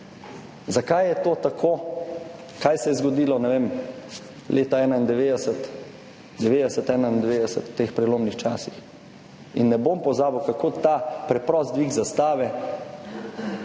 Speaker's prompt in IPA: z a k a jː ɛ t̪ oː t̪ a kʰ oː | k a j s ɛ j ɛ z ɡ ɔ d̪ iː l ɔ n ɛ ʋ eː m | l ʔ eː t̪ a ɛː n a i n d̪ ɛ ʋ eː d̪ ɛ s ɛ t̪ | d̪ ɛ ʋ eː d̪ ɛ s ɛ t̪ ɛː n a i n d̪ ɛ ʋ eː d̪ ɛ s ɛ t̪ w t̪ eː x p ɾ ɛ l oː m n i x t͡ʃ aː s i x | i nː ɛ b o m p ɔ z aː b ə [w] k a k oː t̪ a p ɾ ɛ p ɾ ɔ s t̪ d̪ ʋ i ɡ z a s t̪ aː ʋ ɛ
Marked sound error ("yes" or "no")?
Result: no